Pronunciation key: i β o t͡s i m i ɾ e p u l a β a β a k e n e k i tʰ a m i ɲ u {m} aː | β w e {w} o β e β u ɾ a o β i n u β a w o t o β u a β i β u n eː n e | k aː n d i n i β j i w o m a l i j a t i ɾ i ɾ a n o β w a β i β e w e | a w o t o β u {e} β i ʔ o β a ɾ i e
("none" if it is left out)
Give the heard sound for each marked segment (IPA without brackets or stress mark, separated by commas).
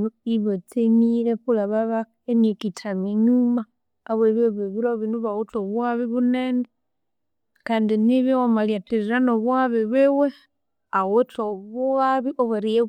m, β, a